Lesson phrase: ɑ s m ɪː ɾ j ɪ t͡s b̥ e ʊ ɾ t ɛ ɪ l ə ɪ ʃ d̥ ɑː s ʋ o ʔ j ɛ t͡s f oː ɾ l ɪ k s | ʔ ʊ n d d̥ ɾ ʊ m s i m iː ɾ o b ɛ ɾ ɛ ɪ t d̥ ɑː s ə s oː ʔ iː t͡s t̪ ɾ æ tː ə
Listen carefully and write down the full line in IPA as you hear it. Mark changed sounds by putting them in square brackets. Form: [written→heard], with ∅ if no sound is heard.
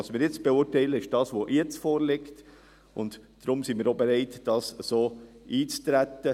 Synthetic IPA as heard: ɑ s m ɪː ɾ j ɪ t͡s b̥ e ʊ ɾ t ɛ ɪ l ə ɪ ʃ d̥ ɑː s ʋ o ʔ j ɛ t͡s f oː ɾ l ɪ k [s→t] | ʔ ʊ n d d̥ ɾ ʊ m s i m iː ɾ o b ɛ ɾ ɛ ɪ t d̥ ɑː s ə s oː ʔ iː t͡s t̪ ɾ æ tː ə